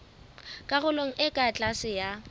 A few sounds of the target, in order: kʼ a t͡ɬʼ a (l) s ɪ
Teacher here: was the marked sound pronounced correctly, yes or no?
no